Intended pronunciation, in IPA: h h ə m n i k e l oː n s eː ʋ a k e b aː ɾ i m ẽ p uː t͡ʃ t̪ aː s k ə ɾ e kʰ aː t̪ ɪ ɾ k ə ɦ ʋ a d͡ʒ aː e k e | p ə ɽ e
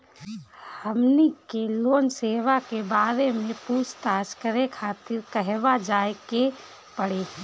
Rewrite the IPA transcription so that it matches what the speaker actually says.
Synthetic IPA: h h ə m n i k e l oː n s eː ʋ a k e b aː ɾ e m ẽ p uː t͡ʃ t̪ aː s k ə ɾ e kʰ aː t̪ ɪ ɾ k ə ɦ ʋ a d͡ʒ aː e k e | p ə ɽ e